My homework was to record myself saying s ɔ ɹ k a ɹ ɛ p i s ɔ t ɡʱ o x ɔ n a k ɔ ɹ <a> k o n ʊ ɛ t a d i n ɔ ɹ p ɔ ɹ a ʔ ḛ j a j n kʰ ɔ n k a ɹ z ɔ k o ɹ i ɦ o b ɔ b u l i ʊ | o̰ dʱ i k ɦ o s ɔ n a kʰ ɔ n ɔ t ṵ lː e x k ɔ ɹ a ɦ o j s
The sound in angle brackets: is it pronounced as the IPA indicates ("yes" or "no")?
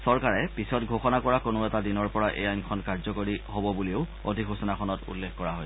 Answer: yes